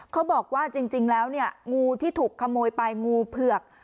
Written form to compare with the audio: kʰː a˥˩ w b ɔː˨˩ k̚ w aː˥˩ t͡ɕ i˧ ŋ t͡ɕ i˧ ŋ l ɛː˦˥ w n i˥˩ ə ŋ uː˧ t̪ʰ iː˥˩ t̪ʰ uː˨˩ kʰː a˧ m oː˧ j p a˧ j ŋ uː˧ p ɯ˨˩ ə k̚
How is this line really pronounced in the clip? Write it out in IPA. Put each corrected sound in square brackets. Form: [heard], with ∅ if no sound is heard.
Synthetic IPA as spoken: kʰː [a˦˥] w b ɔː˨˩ k̚ w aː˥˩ t͡ɕ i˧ ŋ t͡ɕ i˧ ŋ l ɛː˦˥ w n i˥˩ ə ŋ uː˧ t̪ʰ iː˥˩ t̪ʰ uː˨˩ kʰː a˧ m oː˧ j p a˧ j ŋ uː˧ [pʰ] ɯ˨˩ ə k̚